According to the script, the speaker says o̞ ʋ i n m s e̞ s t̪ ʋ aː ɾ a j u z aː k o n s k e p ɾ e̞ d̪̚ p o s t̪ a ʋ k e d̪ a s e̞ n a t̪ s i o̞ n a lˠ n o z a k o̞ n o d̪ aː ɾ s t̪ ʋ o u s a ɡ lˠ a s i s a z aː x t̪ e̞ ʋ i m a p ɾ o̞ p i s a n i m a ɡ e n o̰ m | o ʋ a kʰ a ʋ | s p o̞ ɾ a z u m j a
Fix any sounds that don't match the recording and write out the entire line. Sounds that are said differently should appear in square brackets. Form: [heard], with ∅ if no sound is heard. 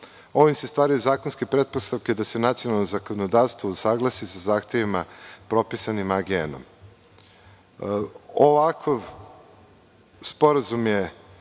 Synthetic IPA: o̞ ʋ i [∅] m s e̞ s t̪ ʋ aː ɾ a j u z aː k o n s k e p ɾ e̞ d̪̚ p o s t̪ a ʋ k e d̪ a s e̞ n a t̪ s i o̞ n a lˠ n o z a k o̞ n o d̪ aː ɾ s t̪ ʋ o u s a ɡ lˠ a s i s a z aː x t̪ e̞ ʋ i m a p ɾ o̞ p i s a n i m a ɡ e n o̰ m | o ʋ a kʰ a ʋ | s p o̞ ɾ a z u m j [e]

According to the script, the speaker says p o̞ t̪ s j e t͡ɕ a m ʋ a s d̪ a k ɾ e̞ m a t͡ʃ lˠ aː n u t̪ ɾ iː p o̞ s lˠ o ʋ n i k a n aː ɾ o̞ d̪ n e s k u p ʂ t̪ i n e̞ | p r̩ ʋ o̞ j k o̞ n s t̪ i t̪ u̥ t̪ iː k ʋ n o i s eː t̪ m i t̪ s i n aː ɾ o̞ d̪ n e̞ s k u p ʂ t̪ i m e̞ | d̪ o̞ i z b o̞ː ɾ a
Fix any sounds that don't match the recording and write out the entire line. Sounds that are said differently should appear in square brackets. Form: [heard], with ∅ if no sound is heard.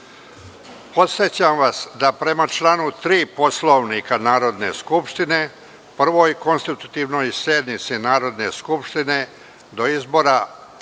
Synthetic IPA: p o̞ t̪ s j e t͡ɕ a m ʋ a s d̪ a [p] ɾ e̞ m a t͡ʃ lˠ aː n u t̪ ɾ iː p o̞ s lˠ o ʋ n i k a n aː ɾ o̞ d̪ n e s k u p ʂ t̪ i n e̞ | p r̩ ʋ o̞ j k o̞ n s t̪ i t̪ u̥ t̪ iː [∅] ʋ n o [j] s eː [d̪] m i t̪ s i n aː ɾ o̞ d̪ n e̞ s k u p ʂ t̪ i [n] e̞ | d̪ o̞ i z b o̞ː ɾ a

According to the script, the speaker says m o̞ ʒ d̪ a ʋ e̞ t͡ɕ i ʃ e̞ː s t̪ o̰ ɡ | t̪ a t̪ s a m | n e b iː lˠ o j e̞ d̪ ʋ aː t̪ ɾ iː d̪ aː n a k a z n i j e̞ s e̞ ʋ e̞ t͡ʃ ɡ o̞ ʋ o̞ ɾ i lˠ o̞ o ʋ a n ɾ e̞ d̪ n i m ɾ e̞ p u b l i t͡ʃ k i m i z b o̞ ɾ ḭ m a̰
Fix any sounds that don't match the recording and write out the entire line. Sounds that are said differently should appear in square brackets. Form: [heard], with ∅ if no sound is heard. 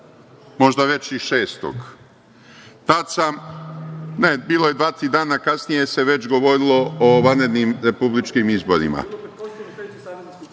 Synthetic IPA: m o̞ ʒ d̪ a ʋ e̞ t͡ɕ i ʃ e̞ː s t̪ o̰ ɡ | t̪ a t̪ s a m | n e b iː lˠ o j e̞ d̪ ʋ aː t̪ ɾ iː d̪ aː n a k a [s] n i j e̞ s e̞ ʋ e̞ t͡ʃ ɡ o̞ ʋ o̞ ɾ i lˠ o̞ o ʋ a n ɾ e̞ d̪ n i m ɾ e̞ p u b l i t͡ʃ k i m i z b o̞ ɾ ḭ m a̰

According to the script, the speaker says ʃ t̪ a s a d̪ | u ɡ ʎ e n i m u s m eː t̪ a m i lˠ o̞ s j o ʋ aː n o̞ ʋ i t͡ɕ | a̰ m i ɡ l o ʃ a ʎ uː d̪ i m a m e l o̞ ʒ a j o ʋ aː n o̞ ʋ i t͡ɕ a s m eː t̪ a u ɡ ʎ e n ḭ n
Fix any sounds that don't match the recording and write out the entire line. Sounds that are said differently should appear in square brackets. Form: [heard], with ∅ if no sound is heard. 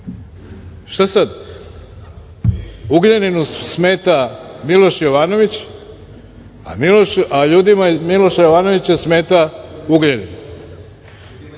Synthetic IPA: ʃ t̪ a s a d̪ | u ɡ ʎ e n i [n] u s m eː t̪ a m i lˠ o̞ [ʃ] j o ʋ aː n o̞ ʋ i t͡ɕ | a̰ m i [∅] l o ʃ a ʎ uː d̪ i m a m [i] l o̞ [ʃ] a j o ʋ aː n o̞ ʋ i t͡ɕ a s m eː t̪ a u ɡ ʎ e n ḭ n

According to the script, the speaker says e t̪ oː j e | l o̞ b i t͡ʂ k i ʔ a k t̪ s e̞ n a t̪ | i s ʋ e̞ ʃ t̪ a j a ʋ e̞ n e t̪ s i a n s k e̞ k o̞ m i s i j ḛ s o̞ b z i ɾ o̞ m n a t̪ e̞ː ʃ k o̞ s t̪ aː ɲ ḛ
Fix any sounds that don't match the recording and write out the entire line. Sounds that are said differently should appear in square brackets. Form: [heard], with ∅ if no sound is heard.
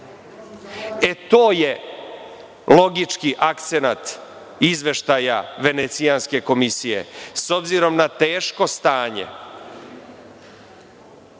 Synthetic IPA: e t̪ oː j e | l o̞ [ɡ] i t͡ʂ k i ʔ a k t̪ s e̞ n a t̪ | i [z] ʋ e̞ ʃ t̪ a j a ʋ e̞ n e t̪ s i a n s k e̞ k o̞ m i s i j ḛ s o̞ b z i ɾ o̞ m n a t̪ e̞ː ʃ k o̞ s t̪ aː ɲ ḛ

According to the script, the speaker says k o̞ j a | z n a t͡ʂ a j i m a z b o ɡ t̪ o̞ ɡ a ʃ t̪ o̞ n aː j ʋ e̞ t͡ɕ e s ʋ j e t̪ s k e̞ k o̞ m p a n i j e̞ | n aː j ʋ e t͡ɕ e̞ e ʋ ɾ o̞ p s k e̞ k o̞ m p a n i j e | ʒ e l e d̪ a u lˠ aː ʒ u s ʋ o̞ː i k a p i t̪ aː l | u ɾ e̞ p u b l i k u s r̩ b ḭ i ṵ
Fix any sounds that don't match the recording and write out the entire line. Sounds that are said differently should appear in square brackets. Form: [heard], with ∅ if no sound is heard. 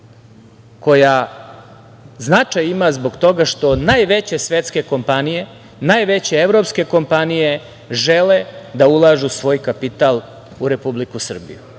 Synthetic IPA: k o̞ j a | z n a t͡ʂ a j i m a z b o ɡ t̪ o̞ ɡ a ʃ t̪ o̞ n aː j ʋ e̞ t͡ɕ e s ʋ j e t̪ s k e̞ k o̞ m p a n i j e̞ | n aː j ʋ e t͡ɕ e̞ e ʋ ɾ o̞ p s k e̞ k o̞ m p a n i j e | ʒ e l e d̪ a u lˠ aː ʒ u s ʋ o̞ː [j] k a p i t̪ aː l | u ɾ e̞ p u b l i k u s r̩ b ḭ [j] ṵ

